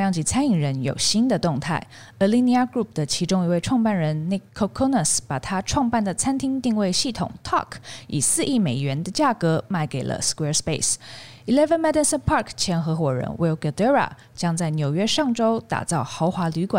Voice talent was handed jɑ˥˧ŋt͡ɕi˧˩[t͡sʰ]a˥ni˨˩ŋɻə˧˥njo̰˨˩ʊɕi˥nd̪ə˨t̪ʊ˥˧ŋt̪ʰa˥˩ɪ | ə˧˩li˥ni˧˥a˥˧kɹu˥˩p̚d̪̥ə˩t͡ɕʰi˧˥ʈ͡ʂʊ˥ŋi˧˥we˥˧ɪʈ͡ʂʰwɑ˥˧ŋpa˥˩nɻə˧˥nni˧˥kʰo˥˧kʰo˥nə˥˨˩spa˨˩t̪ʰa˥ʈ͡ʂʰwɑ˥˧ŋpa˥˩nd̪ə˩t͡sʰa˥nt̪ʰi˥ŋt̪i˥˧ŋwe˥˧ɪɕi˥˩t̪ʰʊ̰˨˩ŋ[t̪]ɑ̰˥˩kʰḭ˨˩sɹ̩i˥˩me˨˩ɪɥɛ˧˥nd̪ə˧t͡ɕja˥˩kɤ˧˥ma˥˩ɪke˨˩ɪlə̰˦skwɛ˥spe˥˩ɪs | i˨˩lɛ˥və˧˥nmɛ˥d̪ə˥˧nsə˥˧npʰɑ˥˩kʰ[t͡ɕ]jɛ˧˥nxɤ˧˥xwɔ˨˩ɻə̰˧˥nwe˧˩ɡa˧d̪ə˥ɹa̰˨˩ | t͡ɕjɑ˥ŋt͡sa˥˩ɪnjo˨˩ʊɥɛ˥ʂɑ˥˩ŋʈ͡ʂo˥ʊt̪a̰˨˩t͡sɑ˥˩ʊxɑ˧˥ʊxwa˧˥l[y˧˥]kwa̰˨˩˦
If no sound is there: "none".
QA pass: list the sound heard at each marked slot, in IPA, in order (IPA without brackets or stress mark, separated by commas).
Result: t͡sʰ, t̪ʰ, t͡ɕʰ, y˧˥